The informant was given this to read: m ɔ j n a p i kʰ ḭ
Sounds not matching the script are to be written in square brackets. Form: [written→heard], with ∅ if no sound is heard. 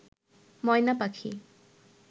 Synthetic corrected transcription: m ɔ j n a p [i→a] kʰ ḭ

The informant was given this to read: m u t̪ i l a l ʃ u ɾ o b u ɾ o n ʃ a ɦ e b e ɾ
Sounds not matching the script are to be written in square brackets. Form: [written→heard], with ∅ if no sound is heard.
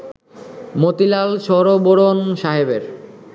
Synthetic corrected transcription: m [u→o] t̪ i l a l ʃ [u→ɔ] ɾ o b [u→o] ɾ o n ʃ a ɦ e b e ɾ

